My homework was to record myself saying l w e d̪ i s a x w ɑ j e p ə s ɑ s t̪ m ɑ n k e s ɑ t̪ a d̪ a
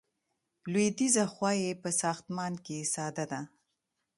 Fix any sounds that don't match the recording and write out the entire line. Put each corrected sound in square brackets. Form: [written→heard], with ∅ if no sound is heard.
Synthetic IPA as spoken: l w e d̪ i [s→z] a x w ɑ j e p ə s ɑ [s→x] t̪ m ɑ n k e s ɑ [t̪→d̪] a d̪ a